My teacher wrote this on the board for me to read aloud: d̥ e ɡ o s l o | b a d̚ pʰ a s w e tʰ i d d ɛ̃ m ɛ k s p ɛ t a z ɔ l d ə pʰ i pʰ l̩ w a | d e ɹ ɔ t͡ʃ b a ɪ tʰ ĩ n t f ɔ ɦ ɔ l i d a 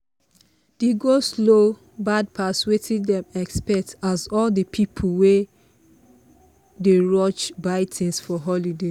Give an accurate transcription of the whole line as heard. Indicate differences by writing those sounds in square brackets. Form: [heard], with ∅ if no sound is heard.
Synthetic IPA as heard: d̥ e ɡ o s l o | b a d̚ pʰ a s w e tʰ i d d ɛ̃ m ɛ k s p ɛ t a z ɔ l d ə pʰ i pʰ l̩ w [e] | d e ɹ ɔ t͡ʃ b a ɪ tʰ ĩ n [s] f ɔ ɦ ɔ l i d [e]